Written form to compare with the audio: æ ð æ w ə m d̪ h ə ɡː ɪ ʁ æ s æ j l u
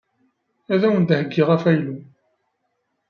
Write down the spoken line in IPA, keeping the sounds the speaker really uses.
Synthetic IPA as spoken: æ ð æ w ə n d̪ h ə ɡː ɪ ʁ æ f æ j l u